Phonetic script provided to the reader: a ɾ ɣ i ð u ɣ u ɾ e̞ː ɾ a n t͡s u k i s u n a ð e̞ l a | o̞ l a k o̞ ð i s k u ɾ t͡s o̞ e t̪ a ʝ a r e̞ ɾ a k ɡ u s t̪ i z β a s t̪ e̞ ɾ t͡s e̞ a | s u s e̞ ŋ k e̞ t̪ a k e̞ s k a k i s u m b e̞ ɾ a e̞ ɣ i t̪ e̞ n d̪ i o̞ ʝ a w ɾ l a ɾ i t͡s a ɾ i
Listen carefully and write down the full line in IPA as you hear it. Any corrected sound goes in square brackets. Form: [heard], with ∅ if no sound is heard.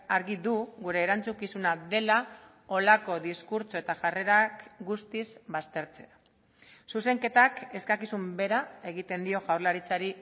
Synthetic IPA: a ɾ ɣ i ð u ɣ u ɾ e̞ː ɾ a n t͡s u k i s u n a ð e̞ l a | o̞ l a k o̞ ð i s k u ɾ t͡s o̞ e t̪ a ʝ a r e̞ ɾ a k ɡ u s t̪ i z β a s t̪ e̞ ɾ t͡s e̞ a | s u s e̞ ŋ k e̞ t̪ a k e̞ s k a k i s u m b e̞ ɾ a e̞ ɣ i t̪ e̞ n d̪ i o̞ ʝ a w ɾ l a ɾ i t͡s a ɾ i